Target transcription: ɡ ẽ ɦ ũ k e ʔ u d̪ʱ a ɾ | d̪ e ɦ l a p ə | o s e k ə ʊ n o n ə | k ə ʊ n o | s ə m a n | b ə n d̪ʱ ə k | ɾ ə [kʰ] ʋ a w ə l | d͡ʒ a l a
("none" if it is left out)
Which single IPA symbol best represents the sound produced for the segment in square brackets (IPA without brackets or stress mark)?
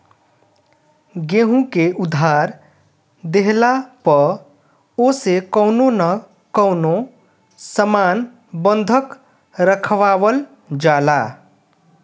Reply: kʰ